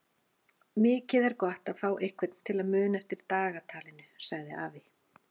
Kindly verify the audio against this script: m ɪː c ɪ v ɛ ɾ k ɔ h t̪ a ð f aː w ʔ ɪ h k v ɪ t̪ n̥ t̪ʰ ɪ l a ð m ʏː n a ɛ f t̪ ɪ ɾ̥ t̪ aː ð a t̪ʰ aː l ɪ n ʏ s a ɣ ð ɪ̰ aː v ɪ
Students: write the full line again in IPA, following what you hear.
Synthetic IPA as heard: m ɪː c ɪ ð ɛ ɾ k ɔ h t̪ a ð f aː w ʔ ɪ h k v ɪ t̪ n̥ t̪ʰ ɪ l a ð m ʏː n a ɛ f t̪ ɪ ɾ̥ t̪ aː ɣ a t̪ʰ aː l ɪ n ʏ s a ɣ ð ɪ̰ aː v ɪ

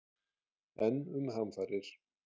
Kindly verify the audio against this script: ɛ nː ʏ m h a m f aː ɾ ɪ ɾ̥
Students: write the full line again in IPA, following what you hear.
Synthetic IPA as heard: ɛ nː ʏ m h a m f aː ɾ ɪ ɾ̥

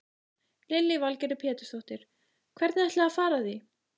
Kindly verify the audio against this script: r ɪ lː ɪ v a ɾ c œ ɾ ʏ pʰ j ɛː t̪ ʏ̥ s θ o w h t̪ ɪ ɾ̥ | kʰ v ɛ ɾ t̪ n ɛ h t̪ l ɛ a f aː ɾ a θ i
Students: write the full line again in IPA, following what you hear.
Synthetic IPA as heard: l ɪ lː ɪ v a l c ɛ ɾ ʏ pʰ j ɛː t̪ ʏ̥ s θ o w h t̪ ɪ ɾ̥ | kʰ v ɛ ɾ t̪ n ɛ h t̪ l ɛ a f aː ɾ a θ i

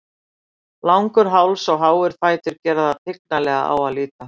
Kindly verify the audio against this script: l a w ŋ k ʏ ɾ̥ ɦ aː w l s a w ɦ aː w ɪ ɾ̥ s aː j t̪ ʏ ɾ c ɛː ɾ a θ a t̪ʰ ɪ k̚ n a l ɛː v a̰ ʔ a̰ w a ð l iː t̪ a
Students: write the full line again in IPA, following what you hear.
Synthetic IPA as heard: l a w ŋ k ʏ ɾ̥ ɦ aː w l s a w ɦ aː w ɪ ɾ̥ f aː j t̪ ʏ ɾ c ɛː ɾ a ð a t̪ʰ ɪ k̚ n a l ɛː ɣ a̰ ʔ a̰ w a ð l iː t̪ a

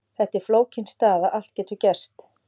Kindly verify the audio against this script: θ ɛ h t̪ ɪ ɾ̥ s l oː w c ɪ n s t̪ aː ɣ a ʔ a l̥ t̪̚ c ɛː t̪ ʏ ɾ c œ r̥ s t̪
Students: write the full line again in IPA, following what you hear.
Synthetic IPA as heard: θ ɛ h t̪ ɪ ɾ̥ f l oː w c ɪ n s t̪ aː ð a ʔ a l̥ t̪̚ c ɛː t̪ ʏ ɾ c ɛ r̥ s t̪

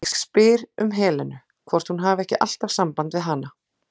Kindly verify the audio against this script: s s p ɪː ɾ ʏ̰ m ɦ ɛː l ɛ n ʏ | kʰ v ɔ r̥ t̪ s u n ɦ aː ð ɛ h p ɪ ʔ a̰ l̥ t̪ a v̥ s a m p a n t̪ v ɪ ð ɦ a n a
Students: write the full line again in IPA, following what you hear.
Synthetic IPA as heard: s s p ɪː ɾ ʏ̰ m ɦ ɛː l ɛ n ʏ | kʰ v ɔ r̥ t̪ h u n ɦ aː v ɛ h c ɪ ʔ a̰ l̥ t̪ a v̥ s a m p a n t̪ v ɪ ð ɦ a n a

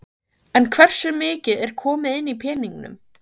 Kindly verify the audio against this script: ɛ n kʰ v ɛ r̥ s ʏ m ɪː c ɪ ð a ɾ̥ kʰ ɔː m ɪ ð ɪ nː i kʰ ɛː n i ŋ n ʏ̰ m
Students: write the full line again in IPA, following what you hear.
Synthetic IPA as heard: ɛ n kʰ v ɛ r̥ s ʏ m ɪː c ɪ ð ɛ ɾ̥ kʰ ɔː m ɪ ð ɪ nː i pʰ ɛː n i ŋ n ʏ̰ m

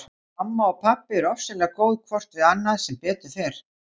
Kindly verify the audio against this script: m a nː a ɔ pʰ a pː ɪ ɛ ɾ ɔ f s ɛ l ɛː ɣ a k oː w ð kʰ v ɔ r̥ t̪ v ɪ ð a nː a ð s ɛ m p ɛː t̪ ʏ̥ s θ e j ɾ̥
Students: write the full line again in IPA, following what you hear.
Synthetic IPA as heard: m a mː a ɔ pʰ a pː ɪ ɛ ɾ ɔ f s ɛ l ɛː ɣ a k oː w ð kʰ v ɔ r̥ t̪ v ɪ ð a nː a ð s ɛ m p ɛː t̪ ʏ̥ θ e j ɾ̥

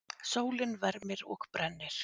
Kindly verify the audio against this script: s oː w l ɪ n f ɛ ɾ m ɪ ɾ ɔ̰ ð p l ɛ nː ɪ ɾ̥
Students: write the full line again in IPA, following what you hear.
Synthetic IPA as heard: s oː w l ɪ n v ɛ ɾ m ɪ ɾ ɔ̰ ɣ p ɾ ɛ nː ɪ ɾ̥

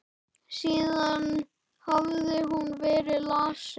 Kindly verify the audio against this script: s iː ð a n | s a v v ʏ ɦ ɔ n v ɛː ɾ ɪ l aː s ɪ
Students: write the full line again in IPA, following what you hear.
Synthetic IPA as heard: s iː ð a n | h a v ð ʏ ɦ u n v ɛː ɾ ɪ l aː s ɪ

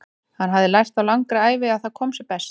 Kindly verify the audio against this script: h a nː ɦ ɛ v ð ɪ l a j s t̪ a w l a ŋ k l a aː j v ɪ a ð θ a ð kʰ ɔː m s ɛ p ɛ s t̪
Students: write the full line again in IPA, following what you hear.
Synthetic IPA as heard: h a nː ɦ a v ð ɪ l a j s t̪ a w l a ŋ k ɾ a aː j v ɪ a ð θ a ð kʰ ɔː m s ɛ p ɛ s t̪

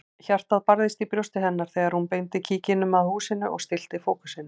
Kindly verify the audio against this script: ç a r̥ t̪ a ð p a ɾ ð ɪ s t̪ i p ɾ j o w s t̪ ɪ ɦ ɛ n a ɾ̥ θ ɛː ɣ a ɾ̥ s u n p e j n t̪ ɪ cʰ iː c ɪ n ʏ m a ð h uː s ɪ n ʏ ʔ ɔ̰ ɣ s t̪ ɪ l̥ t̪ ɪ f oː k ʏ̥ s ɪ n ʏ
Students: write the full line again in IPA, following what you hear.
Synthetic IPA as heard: ç a r̥ t̪ a ð p a ɾ ð ɪ s t̪ i p ɾ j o w s t̪ ɪ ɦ ɛ nː a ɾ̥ θ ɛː ɣ a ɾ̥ h u n p e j n t̪ ɪ cʰ iː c ɪ n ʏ m a ð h uː s ɪ n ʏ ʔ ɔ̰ ɣ s t̪ ɪ l̥ t̪ ɪ f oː k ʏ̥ s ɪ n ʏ

